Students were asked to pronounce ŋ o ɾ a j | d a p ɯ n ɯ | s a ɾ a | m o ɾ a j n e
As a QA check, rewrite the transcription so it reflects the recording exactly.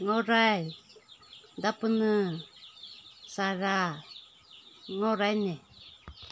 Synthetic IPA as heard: ŋ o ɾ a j | d a p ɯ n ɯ | s a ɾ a | ŋ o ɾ a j n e